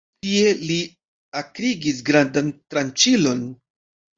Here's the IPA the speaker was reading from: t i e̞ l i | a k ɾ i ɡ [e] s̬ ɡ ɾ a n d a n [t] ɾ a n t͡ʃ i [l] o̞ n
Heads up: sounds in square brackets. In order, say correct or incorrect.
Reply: incorrect, correct, correct

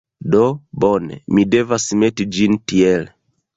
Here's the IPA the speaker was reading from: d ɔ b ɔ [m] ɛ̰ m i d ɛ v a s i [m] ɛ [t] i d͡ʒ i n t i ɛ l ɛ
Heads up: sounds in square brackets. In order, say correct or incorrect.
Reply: incorrect, correct, correct

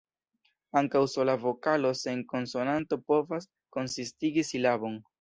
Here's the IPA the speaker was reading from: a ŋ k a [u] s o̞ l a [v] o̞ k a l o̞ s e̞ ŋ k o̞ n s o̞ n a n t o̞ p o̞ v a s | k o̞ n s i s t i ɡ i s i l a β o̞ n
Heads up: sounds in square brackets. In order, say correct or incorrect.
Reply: incorrect, correct

